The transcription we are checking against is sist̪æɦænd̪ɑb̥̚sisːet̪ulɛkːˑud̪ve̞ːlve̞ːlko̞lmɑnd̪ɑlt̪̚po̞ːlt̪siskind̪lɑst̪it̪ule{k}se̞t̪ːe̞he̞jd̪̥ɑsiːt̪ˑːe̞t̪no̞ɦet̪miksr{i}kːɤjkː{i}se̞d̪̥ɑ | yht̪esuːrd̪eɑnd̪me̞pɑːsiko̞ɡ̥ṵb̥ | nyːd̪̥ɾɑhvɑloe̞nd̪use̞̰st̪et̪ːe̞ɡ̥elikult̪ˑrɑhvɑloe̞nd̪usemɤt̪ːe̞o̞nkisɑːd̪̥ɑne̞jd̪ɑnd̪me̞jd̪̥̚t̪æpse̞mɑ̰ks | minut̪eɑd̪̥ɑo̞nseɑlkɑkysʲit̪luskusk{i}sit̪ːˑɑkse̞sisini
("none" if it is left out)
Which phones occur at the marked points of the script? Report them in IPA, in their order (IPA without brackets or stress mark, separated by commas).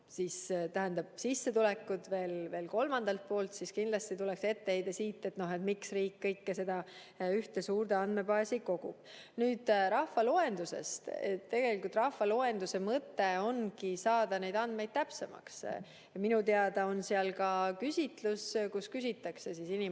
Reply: k, iː, e, y